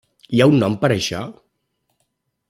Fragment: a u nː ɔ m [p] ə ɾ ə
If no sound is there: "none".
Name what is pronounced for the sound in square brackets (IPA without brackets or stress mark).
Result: p